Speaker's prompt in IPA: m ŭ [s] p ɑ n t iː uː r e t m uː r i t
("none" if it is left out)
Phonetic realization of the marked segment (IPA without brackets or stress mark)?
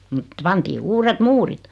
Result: t